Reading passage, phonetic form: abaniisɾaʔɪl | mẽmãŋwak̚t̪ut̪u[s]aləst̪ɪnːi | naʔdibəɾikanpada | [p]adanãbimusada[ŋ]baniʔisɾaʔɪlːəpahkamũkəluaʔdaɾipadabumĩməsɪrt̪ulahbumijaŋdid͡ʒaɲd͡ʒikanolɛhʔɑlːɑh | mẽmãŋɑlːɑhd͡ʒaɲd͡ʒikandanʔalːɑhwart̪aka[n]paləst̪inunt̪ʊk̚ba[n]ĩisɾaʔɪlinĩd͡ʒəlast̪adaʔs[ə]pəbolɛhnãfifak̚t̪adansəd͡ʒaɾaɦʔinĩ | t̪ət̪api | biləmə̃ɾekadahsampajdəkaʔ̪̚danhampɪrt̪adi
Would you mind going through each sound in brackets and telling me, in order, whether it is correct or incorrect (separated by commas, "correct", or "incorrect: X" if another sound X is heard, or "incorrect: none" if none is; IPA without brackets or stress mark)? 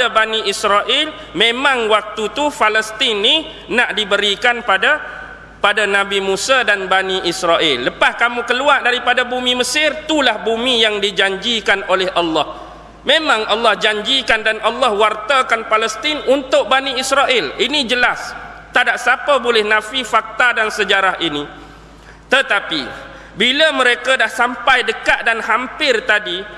incorrect: f, correct, incorrect: n, correct, correct, incorrect: a